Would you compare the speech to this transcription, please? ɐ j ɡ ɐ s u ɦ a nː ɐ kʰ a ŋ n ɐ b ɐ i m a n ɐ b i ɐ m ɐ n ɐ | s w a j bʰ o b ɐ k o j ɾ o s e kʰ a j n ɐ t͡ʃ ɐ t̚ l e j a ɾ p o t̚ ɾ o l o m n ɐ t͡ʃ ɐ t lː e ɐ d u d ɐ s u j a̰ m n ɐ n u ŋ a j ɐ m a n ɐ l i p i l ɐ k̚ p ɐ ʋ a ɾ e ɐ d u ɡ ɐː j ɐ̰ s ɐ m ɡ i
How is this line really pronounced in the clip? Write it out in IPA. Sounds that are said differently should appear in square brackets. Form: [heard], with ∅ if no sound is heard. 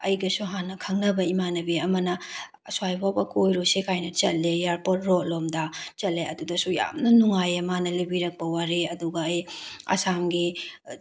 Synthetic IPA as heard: ɐ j ɡ ɐ s u ɦ a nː ɐ kʰ [ɐ] ŋ n ɐ b ɐ i m a n ɐ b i ɐ m ɐ n ɐ | s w a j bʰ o b ɐ k o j ɾ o s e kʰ a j n ɐ t͡ʃ ɐ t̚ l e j a ɾ p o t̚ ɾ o l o m [d] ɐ t͡ʃ ɐ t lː e ɐ d u d ɐ s u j a̰ m n ɐ n u ŋ a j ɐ m a n ɐ l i [b] i [ɾ] ɐ k̚ p ɐ [w] a ɾ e ɐ d u ɡ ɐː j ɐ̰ s [a] m ɡ i